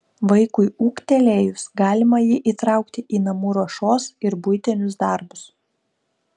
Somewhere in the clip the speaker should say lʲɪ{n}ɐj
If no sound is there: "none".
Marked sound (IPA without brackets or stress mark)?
m